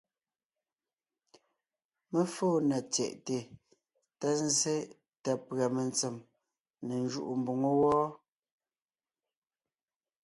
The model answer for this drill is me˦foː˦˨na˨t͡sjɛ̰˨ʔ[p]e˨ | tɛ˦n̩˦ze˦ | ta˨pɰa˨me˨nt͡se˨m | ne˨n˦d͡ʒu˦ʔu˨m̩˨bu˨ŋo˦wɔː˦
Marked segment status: incorrect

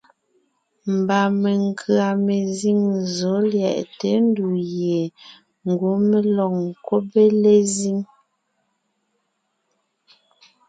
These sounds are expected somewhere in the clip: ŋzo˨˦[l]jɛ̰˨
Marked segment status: correct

